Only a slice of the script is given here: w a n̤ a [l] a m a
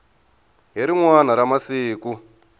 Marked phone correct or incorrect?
incorrect